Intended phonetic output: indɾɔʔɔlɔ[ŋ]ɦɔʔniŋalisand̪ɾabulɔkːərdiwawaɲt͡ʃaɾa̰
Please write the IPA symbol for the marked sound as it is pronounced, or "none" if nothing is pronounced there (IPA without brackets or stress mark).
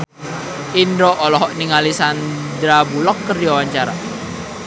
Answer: none